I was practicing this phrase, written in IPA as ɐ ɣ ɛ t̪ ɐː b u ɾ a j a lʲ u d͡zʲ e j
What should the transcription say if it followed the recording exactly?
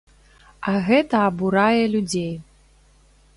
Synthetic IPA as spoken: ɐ ɣ ɛ t̪ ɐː b u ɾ a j ɛ lʲ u d͡zʲ e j